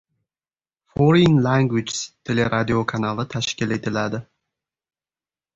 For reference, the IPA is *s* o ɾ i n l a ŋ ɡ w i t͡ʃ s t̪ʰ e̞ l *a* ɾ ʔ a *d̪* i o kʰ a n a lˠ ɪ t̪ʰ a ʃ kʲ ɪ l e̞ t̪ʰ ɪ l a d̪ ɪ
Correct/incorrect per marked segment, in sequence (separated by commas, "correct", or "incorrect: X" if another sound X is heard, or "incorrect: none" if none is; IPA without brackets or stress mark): incorrect: f, incorrect: e, correct